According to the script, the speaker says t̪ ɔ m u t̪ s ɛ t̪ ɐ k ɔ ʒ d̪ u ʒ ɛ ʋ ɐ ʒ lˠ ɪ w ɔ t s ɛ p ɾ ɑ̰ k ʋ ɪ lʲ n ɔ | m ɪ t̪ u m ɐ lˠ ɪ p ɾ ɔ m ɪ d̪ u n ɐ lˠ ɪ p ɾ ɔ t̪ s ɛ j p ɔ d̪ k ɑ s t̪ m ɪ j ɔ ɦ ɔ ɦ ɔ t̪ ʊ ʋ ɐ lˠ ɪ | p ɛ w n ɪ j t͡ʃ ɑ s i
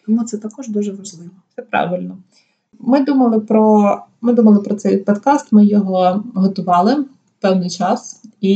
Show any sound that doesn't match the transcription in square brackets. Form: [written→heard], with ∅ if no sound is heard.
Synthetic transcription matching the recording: t̪ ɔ m u t̪ s ɛ t̪ ɐ k ɔ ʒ d̪ u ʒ ɛ ʋ ɐ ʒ lˠ ɪ [w→ʋ] ɔ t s ɛ p ɾ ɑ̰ [k→∅] ʋ ɪ lʲ n ɔ | m ɪ [t̪→d̪] u m ɐ lˠ ɪ p ɾ ɔ m ɪ d̪ u [n→m] ɐ lˠ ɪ p ɾ ɔ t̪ s ɛ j p ɔ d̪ k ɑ s t̪ m ɪ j ɔ ɦ ɔ ɦ ɔ t̪ ʊ ʋ [ɐ→ɑ] lˠ ɪ | p ɛ w n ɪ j t͡ʃ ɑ s i